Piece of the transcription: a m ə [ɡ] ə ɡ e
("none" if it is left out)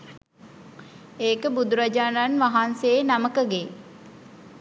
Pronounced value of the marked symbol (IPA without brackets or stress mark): k